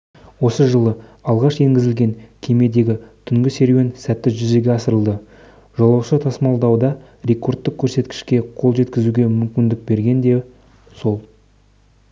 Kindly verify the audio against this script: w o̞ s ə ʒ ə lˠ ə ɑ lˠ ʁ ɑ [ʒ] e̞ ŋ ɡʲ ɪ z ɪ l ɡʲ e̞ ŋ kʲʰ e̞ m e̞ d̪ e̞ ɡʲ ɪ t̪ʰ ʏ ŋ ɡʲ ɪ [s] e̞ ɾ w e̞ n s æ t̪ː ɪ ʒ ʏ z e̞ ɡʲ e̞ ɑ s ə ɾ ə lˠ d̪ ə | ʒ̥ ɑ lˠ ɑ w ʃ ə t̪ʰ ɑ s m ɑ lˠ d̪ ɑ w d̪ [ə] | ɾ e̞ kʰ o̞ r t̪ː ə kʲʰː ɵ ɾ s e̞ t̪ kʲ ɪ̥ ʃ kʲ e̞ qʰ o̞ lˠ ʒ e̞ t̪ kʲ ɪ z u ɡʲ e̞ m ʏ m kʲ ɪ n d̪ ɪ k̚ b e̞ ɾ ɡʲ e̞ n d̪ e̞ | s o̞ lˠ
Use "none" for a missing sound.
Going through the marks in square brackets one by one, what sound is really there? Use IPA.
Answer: ʃ, s, ɑ

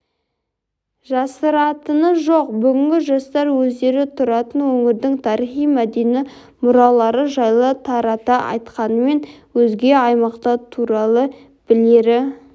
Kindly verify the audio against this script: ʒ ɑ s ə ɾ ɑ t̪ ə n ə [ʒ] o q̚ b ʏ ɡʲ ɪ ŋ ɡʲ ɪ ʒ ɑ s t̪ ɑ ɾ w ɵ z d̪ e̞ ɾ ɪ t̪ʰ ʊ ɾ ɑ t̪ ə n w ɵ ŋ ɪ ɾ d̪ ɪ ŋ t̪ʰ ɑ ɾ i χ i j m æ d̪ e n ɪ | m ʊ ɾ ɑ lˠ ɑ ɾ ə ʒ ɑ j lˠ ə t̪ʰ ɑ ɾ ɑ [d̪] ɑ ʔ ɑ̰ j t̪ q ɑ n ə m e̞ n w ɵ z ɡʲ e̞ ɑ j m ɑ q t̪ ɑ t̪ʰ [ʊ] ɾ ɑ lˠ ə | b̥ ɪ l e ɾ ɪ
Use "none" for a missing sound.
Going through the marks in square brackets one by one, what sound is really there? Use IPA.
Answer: ʒ, t̪, u

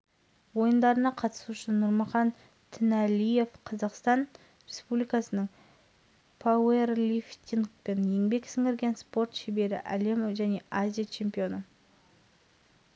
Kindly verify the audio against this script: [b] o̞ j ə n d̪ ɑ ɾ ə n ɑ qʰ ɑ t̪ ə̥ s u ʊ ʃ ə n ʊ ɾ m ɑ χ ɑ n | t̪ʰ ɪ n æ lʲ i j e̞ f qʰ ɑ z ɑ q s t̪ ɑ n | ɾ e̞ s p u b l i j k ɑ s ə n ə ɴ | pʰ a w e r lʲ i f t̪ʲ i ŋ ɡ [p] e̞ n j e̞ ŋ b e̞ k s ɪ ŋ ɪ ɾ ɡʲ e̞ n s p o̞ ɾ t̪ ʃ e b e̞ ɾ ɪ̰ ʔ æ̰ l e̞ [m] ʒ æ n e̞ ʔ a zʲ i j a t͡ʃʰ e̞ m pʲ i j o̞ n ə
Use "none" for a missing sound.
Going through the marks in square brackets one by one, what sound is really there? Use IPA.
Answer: w, p, m

